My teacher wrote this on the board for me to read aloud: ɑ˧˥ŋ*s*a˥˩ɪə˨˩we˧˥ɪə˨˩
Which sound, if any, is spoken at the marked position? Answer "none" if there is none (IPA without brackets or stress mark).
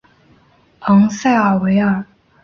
s